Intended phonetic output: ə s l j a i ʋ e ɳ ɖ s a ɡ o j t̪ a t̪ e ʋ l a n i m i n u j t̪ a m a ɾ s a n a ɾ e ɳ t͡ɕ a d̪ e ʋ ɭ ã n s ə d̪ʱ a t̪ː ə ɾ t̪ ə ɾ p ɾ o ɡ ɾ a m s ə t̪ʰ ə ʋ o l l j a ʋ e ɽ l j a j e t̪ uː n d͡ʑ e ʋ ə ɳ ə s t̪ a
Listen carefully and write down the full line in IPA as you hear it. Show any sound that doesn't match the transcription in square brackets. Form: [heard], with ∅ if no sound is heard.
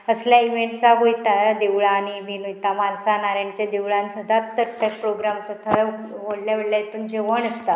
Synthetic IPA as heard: ə s l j a i ʋ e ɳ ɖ s a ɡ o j t̪ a [d̪] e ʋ [ɭ] a n i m i n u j t̪ a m a [l] s a n a ɾ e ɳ t͡ɕ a d̪ e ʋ ɭ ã n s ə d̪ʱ a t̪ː ə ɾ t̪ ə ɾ p ɾ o ɡ ɾ a m s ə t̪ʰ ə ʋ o [ɽ] l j a ʋ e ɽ l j a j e t̪ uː n d͡ʑ e ʋ ə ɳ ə s t̪ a